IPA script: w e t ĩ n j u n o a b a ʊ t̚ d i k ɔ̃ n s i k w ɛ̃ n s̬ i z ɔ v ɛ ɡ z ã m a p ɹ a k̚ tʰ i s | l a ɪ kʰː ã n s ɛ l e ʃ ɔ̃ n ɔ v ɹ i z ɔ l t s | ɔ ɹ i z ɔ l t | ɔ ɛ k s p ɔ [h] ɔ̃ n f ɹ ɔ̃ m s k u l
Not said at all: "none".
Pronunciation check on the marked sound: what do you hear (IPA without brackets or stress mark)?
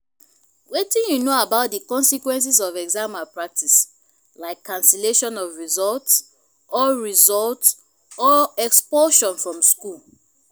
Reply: ʃ